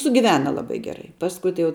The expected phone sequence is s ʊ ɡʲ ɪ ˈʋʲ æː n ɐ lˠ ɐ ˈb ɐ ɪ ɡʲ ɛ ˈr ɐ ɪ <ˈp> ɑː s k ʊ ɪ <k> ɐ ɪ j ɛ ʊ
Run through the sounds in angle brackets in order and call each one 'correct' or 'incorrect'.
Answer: correct, incorrect

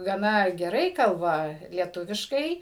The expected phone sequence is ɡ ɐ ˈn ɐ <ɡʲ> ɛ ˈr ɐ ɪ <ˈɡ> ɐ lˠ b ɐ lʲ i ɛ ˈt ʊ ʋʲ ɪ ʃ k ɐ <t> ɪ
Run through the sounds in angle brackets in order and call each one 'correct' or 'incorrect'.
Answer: correct, incorrect, incorrect

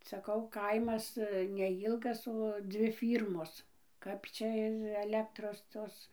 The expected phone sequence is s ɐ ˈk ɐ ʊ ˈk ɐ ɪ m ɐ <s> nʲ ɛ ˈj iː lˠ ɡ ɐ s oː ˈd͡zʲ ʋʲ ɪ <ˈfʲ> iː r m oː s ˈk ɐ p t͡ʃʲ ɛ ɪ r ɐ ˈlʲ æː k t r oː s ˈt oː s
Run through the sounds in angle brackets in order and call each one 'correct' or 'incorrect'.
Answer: correct, correct

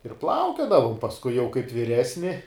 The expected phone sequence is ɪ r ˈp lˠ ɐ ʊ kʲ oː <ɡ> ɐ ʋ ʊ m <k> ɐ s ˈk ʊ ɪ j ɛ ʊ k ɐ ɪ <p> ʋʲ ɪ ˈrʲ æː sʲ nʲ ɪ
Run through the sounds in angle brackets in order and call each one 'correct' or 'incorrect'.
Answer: incorrect, incorrect, correct

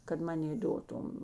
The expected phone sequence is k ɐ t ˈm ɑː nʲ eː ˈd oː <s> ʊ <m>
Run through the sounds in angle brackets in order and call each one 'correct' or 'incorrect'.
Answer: incorrect, correct

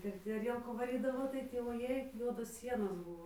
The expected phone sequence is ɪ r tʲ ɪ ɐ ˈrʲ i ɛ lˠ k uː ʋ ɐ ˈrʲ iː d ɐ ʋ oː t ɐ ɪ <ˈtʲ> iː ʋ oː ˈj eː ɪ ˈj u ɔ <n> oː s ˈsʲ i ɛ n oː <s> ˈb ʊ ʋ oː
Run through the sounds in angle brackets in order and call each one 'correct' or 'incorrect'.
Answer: correct, incorrect, correct

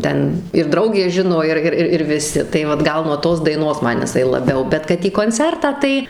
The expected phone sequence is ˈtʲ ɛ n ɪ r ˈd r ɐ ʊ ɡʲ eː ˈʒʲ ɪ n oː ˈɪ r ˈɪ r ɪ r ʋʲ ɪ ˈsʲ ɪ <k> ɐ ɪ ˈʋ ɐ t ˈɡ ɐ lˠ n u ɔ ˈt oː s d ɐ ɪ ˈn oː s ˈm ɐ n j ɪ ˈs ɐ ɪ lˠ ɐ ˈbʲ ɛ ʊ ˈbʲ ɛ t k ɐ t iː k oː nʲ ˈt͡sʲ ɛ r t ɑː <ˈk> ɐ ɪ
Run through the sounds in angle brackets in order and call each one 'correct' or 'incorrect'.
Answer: incorrect, incorrect

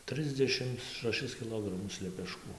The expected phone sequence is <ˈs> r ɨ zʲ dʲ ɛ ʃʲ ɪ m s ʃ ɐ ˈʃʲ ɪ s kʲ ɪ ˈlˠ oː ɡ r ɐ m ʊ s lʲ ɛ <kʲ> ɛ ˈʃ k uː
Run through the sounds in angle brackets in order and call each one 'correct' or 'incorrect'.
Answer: incorrect, incorrect

